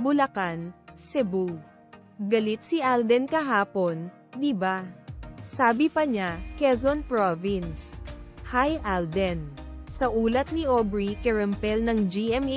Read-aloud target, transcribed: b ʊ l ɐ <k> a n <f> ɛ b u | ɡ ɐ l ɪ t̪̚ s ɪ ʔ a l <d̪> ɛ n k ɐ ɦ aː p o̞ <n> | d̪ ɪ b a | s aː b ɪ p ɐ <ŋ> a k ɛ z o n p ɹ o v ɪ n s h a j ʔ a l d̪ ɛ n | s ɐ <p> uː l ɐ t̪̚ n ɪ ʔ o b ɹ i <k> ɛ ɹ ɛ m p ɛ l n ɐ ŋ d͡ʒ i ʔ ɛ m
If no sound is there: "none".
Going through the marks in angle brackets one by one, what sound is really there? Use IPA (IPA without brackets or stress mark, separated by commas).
k, s, d̪, n, ɲ, ʔ, k